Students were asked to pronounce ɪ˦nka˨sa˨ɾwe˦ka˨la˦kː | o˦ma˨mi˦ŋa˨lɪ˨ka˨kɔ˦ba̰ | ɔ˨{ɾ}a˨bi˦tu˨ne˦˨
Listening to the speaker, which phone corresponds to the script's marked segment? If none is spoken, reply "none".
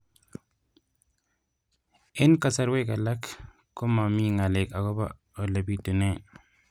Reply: l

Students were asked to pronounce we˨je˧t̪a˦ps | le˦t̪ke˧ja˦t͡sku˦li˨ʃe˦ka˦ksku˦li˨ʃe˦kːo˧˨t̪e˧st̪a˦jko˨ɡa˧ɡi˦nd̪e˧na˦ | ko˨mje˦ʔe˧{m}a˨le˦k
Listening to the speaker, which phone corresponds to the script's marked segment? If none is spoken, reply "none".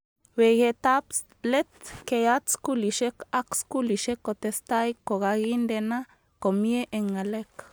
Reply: ŋ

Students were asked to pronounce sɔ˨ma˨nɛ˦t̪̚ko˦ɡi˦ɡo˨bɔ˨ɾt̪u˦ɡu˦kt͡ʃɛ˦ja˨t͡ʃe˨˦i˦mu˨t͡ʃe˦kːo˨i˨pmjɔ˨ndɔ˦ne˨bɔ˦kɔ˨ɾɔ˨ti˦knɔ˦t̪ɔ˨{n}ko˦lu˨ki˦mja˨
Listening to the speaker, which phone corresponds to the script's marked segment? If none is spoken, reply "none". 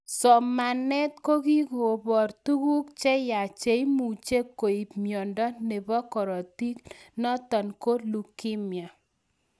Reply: n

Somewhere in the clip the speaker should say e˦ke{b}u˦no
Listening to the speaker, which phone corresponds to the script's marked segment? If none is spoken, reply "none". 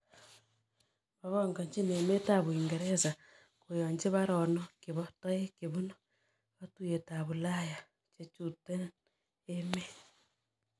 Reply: β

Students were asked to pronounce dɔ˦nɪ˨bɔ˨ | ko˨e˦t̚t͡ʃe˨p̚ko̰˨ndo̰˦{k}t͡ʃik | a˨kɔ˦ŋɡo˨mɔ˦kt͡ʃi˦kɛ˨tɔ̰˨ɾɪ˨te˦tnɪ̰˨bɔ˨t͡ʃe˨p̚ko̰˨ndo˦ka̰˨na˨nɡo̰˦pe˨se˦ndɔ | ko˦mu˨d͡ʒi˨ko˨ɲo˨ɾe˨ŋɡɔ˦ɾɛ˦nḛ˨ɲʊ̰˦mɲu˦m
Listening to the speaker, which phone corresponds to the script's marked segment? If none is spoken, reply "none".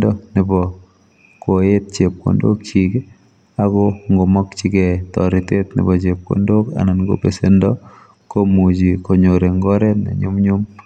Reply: k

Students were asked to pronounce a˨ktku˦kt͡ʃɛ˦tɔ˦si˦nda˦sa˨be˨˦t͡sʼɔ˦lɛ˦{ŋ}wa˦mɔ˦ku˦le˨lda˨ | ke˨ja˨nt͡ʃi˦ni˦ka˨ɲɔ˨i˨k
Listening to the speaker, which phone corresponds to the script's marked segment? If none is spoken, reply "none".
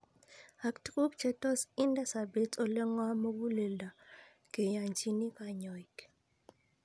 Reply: ŋ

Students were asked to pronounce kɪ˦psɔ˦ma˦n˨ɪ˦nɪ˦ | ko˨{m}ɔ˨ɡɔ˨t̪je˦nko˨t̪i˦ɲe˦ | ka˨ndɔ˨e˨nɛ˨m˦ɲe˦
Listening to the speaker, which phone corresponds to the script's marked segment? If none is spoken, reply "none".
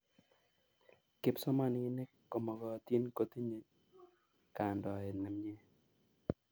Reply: m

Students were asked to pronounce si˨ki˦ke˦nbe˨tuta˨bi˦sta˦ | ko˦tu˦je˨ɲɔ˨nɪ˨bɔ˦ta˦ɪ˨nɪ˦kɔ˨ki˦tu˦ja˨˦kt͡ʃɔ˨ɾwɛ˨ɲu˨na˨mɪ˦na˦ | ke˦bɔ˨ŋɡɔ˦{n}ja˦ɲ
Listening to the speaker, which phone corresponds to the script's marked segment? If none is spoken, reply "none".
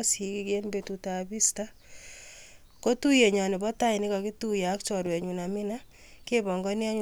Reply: n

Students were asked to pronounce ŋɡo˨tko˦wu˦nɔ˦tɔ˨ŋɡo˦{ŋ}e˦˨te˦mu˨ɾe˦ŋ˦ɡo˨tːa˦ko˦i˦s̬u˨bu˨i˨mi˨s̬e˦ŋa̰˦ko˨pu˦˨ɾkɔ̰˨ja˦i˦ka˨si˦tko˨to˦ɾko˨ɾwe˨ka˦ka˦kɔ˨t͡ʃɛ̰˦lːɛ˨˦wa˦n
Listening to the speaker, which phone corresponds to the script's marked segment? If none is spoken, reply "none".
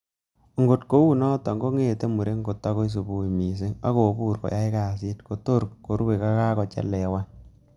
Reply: ŋ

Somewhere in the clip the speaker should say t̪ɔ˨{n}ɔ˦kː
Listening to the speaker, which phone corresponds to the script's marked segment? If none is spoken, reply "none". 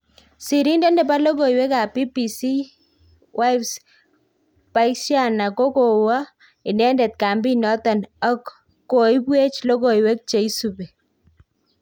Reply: n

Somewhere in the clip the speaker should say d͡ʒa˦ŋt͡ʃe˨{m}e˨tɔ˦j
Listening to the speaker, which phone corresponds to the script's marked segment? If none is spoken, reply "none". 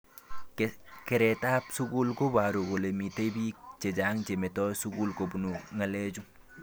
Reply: m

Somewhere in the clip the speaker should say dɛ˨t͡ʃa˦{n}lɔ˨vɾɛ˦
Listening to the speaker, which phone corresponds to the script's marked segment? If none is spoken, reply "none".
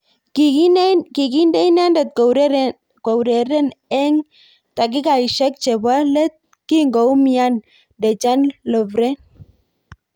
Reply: n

